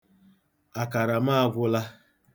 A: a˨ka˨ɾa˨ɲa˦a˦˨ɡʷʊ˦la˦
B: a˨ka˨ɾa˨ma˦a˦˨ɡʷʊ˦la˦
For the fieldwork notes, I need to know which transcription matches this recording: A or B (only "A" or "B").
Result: B